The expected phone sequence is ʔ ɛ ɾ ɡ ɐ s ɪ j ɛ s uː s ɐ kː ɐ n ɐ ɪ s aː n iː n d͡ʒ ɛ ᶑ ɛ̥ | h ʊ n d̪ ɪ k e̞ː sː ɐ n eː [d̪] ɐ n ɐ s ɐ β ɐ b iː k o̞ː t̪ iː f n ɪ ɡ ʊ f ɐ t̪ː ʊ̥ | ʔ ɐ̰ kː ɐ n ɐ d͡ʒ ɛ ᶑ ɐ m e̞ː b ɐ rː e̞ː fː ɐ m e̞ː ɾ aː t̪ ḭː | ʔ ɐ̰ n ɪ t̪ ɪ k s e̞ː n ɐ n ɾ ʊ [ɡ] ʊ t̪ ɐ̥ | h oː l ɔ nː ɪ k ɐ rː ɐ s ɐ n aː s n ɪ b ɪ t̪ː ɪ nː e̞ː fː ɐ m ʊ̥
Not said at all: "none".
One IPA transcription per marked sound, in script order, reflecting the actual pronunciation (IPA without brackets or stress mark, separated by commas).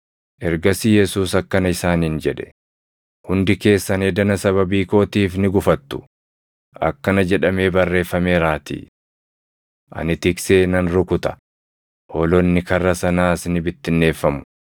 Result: d̪, k